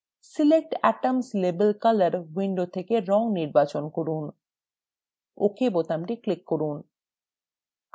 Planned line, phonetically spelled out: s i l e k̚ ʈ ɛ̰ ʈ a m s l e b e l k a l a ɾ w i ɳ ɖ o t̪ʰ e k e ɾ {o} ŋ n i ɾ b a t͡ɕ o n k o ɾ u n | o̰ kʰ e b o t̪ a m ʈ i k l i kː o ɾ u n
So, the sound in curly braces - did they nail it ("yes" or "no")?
no